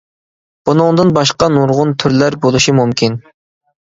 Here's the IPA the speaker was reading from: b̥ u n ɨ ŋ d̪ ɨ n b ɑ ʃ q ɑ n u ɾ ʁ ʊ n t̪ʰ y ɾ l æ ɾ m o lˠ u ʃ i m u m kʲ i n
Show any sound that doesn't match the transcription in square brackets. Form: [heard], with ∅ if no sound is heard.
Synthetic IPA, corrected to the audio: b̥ u n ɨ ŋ d̪ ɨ n b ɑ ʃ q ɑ n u ɾ ʁ ʊ n t̪ʰ y ɾ l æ ɾ [b] o lˠ u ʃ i m u m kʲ i n